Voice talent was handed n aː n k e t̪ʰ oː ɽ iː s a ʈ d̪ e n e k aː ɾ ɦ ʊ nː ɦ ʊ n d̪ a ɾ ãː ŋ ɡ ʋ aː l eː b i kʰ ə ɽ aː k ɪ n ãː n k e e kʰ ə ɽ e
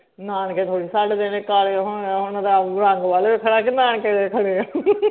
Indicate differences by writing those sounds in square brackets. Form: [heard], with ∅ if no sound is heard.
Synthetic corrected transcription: n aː n k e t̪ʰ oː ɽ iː s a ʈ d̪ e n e k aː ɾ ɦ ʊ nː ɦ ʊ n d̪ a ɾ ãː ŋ ɡ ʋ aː l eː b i kʰ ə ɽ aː k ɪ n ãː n k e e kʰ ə ɽ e